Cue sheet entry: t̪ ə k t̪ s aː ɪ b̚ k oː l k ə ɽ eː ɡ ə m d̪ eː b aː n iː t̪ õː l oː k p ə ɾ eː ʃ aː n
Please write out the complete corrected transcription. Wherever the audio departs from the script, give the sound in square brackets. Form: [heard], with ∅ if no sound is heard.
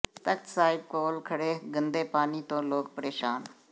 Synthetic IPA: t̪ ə k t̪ s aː ɪ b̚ k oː l [kʰ] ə ɽ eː ɡ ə [n] d̪ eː [p] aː n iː t̪ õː l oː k p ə ɾ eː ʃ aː n

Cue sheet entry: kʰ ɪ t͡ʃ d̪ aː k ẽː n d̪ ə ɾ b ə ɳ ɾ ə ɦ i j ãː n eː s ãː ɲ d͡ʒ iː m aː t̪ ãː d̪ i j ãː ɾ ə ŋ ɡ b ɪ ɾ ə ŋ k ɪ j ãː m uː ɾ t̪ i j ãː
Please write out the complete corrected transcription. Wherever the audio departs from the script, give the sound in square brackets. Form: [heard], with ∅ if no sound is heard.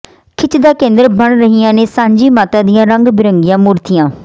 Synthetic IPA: kʰ ɪ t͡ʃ d̪ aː k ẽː n d̪ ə ɾ b ə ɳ ɾ ə ɦ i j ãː n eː s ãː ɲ d͡ʒ iː m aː t̪ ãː d̪ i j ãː ɾ ə ŋ ɡ b ɪ ɾ ə ŋ [ɡ] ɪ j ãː m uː ɾ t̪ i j ãː

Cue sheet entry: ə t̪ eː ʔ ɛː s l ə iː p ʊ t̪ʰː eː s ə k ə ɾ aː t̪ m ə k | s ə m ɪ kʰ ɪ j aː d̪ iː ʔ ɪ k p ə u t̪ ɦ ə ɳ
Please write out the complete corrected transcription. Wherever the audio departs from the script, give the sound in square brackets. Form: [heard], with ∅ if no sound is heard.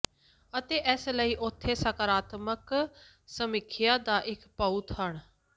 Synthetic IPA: ə t̪ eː ʔ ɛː s l ə iː [ʔ] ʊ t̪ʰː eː s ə k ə ɾ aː t̪ m ə k | s ə m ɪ kʰ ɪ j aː d̪ [aː] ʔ ɪ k p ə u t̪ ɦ ə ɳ

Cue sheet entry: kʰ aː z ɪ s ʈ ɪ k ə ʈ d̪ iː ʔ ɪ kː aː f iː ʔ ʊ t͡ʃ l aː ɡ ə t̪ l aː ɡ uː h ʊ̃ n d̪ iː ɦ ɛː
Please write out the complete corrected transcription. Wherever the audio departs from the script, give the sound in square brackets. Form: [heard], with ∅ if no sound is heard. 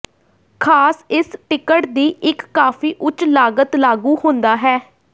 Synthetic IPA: kʰ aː [s] ɪ s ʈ ɪ k ə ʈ d̪ iː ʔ ɪ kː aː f iː ʔ ʊ t͡ʃ l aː ɡ ə t̪ l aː ɡ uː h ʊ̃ n d̪ [aː] ɦ ɛː

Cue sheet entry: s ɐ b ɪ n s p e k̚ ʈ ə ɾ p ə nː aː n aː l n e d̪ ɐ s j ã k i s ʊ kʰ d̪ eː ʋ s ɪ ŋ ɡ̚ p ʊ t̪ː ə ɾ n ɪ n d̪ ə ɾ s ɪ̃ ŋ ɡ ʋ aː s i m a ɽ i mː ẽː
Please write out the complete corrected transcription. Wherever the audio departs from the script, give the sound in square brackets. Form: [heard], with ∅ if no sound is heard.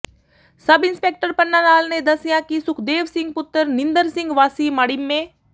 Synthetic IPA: s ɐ b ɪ n s p e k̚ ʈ ə ɾ p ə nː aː n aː l n e d̪ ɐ s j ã k i s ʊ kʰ d̪ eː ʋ s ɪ ŋ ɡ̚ p ʊ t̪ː ə ɾ n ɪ n d̪ ə ɾ s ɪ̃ ŋ ɡ ʋ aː s i m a ɽ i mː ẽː

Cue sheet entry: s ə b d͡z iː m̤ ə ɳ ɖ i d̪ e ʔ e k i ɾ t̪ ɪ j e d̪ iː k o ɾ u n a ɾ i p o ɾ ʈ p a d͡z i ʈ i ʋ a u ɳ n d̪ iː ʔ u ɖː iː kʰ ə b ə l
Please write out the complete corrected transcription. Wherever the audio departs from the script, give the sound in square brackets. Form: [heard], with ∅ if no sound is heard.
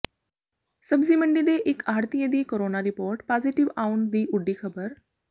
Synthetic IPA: s ə b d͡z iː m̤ ə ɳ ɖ i d̪ e ʔ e k [a] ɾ t̪ [i] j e d̪ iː k o ɾ [o] n a ɾ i p o ɾ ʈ p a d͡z i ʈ i ʋ a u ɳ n d̪ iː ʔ u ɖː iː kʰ ə b ə [ɾ]

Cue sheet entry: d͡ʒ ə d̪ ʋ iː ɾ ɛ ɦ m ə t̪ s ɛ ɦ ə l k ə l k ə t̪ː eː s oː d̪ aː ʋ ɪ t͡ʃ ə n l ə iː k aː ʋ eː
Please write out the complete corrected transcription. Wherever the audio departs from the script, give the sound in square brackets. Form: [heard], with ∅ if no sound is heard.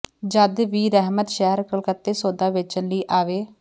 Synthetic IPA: d͡ʒ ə d̪ ʋ iː ɾ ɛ ɦ m ə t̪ [ʃ] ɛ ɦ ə [ɾ] k ə l k ə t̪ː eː s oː d̪ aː ʋ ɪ t͡ʃ ə n l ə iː [ʔ] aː ʋ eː

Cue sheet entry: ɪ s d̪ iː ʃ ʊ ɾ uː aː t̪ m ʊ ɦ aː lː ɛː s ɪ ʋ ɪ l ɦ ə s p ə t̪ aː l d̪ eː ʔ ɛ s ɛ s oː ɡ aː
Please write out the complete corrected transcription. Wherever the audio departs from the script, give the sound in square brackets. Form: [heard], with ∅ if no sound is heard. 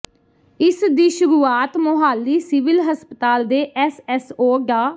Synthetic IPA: ɪ s d̪ iː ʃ ʊ ɾ uː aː t̪ m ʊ ɦ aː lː [iː] s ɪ ʋ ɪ l ɦ ə s p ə t̪ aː l d̪ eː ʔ ɛ s ɛ s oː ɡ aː

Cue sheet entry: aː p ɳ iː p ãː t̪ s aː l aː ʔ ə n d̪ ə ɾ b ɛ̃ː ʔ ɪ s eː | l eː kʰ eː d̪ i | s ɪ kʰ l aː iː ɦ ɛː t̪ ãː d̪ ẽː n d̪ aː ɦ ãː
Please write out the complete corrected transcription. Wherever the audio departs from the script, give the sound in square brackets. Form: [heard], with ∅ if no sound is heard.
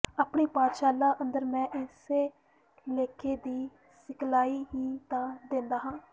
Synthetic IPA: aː p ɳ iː p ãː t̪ [ʃ] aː l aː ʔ ə n d̪ ə ɾ [m] ɛ̃ː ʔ ɪ s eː | l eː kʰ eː d̪ [iː] | s ɪ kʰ l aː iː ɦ [iː] t̪ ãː d̪ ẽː n d̪ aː ɦ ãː

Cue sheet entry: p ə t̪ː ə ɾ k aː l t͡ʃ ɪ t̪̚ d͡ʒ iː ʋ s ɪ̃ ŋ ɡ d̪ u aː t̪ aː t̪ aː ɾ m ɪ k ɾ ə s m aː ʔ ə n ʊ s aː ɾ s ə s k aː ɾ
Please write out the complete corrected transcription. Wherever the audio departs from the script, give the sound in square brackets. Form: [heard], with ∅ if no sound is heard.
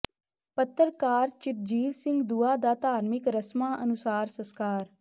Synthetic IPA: p ə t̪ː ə ɾ k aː [ɾ] t͡ʃ ɪ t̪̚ d͡ʒ iː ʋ s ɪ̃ ŋ ɡ d̪ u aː [d̪] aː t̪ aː ɾ m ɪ k ɾ ə s m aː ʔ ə n ʊ s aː ɾ s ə s k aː ɾ

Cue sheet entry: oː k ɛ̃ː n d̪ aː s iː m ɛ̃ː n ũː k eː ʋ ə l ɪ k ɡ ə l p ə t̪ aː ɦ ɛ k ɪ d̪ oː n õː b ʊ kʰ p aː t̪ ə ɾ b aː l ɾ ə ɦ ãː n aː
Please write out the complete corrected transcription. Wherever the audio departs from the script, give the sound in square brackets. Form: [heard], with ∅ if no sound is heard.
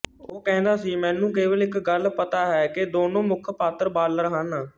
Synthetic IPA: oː k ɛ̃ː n d̪ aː s iː m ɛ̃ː n ũː k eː ʋ ə l ɪ k ɡ ə l p ə t̪ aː ɦ [ɛː] k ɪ d̪ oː n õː [m] ʊ kʰ p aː t̪ ə ɾ b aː l ɾ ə ɦ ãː n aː

